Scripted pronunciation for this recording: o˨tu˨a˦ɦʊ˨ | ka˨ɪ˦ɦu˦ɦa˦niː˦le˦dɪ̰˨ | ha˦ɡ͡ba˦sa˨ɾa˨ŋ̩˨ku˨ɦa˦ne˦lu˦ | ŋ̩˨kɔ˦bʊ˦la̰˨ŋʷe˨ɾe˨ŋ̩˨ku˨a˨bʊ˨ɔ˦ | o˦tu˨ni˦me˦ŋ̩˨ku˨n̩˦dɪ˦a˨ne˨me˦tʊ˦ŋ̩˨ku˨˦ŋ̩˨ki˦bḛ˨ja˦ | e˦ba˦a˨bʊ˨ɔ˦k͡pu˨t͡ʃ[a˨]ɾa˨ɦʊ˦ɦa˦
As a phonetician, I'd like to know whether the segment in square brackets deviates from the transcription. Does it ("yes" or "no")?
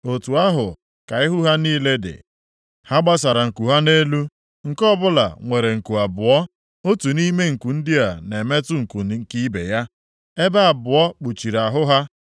yes